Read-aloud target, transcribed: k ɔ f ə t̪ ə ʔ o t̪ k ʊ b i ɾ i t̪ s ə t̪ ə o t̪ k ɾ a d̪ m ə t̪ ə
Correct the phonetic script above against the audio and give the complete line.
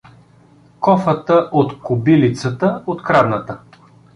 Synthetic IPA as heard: k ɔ f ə t̪ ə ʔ o t̪ k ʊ b i l i t̪ s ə t̪ ə o t̪ k ɾ a d̪ n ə t̪ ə